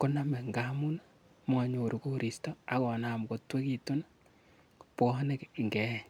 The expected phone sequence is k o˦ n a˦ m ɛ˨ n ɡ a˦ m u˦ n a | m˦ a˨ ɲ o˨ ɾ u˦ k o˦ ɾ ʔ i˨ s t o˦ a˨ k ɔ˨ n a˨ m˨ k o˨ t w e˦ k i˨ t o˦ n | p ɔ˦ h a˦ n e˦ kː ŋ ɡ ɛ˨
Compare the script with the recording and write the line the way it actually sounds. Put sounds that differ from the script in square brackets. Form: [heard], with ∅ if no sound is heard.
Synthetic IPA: k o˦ n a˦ m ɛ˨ [ŋ] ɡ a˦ m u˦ n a | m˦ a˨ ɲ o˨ ɾ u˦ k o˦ ɾ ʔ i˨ s t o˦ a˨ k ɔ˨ n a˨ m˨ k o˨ t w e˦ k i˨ t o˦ n | p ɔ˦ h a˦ n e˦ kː ŋ ɡ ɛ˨